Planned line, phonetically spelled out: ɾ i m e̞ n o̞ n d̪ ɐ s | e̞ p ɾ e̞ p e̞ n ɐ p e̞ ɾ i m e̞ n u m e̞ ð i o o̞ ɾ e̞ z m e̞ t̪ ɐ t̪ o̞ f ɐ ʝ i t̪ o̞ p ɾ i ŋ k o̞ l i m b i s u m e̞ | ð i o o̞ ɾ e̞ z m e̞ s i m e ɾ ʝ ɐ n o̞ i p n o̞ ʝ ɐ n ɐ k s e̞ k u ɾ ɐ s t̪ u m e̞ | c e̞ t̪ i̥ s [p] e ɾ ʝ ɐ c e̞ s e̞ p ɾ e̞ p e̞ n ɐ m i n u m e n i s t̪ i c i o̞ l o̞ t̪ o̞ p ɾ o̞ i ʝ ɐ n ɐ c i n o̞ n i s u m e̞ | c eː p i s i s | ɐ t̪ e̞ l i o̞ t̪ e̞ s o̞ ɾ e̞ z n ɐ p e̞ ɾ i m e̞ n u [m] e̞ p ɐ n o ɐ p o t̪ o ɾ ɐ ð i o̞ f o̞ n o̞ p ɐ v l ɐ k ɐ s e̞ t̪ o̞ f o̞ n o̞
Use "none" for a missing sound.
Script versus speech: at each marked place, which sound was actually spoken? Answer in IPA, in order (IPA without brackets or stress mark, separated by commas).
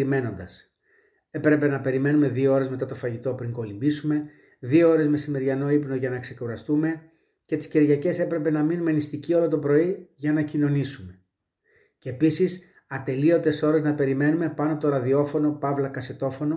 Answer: c, m